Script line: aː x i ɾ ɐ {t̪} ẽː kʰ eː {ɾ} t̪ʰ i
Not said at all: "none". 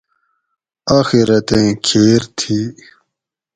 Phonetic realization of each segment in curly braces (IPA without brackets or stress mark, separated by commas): t̪, ɾ